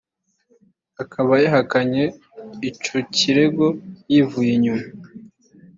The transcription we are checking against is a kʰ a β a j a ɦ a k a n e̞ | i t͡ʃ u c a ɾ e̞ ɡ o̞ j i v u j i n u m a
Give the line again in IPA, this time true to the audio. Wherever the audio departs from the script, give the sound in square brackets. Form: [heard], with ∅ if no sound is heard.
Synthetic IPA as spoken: a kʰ a β a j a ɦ a k a [ɲ] e̞ | i t͡ʃ [o] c [i] ɾ e̞ ɡ o̞ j i v u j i [ɲ] u m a